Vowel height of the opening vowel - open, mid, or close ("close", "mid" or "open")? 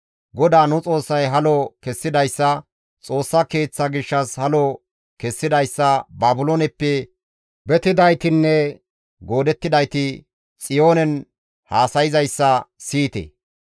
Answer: mid